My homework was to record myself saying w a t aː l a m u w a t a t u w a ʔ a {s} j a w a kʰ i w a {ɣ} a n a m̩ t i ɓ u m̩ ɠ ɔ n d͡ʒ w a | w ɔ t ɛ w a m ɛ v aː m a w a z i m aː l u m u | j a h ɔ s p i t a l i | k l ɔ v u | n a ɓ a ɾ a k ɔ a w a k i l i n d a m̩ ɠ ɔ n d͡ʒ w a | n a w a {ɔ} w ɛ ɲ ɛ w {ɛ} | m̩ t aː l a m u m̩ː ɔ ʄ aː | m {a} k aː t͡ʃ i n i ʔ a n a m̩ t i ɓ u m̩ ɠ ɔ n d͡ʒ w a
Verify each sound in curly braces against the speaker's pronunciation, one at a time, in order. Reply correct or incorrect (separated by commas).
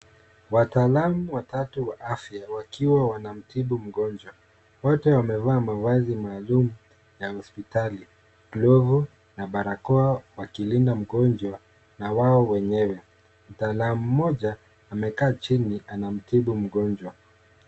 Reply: incorrect, incorrect, correct, correct, incorrect